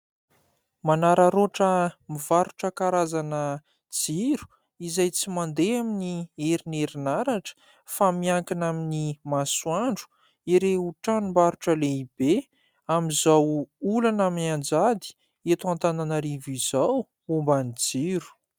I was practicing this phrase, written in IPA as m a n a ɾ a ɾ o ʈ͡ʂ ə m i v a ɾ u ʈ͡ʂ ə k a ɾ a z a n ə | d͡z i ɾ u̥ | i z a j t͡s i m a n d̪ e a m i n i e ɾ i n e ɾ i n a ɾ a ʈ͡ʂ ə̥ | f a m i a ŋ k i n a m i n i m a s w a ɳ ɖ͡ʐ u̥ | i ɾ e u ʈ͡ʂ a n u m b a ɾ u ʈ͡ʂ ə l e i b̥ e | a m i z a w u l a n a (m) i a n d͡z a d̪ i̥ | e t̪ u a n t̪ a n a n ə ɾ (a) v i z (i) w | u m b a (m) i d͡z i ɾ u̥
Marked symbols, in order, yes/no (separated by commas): yes, no, no, no